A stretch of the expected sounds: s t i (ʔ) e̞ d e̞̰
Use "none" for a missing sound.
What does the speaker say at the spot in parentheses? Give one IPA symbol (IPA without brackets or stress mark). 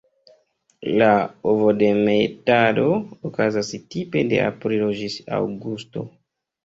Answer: p